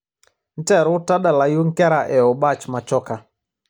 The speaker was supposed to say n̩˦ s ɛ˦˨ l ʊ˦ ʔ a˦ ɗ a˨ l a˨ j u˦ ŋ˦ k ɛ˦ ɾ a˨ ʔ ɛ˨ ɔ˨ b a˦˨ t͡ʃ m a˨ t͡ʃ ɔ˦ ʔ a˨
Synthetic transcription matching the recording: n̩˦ t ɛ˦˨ ɾ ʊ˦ t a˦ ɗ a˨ l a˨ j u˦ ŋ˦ k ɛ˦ ɾ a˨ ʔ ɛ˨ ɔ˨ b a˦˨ t͡ʃ m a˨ t͡ʃ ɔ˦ k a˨